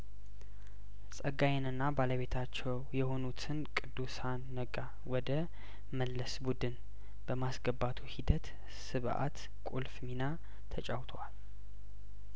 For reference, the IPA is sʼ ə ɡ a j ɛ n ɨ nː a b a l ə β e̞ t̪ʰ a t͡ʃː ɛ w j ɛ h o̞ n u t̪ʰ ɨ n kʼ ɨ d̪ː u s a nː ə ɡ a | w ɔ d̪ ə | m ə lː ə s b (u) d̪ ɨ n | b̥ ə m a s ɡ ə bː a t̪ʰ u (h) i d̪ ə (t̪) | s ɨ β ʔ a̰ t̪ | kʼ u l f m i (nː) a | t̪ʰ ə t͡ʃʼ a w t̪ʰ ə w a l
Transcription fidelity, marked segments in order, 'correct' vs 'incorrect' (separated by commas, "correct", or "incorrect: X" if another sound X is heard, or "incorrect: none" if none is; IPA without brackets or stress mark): correct, correct, correct, incorrect: n